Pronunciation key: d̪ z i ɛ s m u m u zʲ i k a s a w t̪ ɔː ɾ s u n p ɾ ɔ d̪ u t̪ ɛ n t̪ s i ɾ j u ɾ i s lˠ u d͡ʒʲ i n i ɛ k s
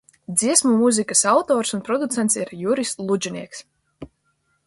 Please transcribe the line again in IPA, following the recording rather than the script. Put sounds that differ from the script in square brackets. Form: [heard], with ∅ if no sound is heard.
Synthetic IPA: d̪ z i ɛ s m u m u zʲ i k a s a w t̪ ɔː ɾ s u n p ɾ ɔ d̪ u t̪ ɛ n t̪ s i ɾ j u ɾ i s lˠ u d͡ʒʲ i n i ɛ k s